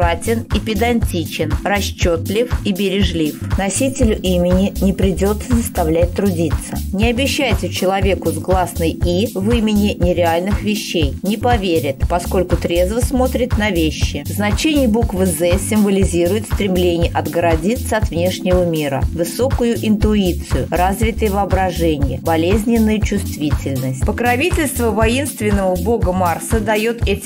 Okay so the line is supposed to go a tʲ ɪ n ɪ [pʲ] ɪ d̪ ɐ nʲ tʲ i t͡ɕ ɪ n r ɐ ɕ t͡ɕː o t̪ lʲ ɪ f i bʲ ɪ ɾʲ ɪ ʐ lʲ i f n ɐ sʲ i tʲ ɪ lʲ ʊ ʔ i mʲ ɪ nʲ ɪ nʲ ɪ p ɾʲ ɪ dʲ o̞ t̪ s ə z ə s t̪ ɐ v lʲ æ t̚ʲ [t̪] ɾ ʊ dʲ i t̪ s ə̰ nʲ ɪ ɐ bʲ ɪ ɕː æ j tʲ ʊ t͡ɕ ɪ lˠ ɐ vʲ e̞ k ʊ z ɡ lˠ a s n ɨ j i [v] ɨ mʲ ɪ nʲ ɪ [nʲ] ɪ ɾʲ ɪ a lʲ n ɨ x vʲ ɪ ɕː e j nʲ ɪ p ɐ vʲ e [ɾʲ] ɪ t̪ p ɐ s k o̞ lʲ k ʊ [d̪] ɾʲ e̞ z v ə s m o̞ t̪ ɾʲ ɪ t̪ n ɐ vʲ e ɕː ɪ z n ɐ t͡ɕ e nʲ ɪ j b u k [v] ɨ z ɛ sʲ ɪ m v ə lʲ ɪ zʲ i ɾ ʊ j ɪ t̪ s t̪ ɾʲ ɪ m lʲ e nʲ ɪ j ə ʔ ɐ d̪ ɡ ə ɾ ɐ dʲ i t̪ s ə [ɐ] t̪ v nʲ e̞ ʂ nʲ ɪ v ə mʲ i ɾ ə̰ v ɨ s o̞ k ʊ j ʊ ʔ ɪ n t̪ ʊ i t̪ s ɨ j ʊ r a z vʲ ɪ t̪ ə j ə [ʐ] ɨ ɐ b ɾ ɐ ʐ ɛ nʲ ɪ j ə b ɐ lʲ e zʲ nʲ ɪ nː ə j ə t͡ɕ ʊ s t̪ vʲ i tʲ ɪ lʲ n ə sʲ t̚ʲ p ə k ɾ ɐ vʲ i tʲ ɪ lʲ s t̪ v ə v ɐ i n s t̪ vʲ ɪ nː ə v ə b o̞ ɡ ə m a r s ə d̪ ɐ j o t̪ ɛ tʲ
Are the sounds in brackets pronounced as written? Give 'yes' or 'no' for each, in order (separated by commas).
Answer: yes, yes, yes, yes, yes, no, yes, yes, no